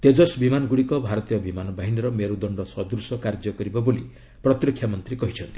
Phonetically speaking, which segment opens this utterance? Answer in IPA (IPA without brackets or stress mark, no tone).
t̪